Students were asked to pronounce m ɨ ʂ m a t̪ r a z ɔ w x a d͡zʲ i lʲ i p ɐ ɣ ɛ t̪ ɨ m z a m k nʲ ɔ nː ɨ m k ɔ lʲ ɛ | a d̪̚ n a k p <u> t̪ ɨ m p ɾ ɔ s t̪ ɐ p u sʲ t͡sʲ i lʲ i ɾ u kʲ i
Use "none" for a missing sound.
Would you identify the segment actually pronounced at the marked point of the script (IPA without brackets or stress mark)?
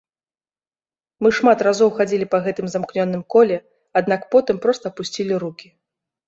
ɔ